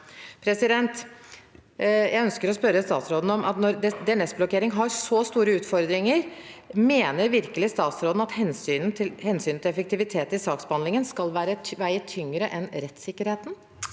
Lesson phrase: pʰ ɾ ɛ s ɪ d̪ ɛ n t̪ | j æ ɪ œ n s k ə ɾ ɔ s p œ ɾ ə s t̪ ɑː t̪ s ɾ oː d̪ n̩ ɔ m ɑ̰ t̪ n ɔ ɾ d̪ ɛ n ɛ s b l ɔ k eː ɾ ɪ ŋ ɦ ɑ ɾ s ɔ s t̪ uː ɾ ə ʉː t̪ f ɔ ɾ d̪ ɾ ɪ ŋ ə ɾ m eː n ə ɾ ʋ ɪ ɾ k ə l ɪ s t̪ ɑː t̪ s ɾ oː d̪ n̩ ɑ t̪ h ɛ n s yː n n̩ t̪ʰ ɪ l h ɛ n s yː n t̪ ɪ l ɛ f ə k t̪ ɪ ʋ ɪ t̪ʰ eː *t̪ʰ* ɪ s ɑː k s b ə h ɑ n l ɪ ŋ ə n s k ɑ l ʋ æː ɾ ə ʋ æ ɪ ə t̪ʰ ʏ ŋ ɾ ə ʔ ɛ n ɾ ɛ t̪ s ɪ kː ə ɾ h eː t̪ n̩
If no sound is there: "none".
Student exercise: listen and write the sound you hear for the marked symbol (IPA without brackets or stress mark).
t̪